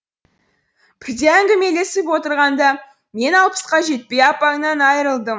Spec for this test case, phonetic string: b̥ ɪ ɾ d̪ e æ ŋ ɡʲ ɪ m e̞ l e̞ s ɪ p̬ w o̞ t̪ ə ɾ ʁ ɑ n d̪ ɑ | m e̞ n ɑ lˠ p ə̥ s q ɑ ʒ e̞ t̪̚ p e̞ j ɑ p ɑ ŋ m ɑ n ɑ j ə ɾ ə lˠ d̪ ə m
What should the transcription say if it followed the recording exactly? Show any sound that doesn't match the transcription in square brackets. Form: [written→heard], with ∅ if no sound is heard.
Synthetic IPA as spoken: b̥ ɪ ɾ d̪ e æ ŋ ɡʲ ɪ m e̞ l e̞ s ɪ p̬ w o̞ t̪ ə ɾ ʁ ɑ n d̪ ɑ | m e̞ n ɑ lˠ p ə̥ s q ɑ ʒ e̞ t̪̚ p e̞ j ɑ p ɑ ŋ [m→n] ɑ n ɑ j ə ɾ ə lˠ d̪ ə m